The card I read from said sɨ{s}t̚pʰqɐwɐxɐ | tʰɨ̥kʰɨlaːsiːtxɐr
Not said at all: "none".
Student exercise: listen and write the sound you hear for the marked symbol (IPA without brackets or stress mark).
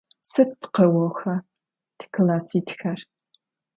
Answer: none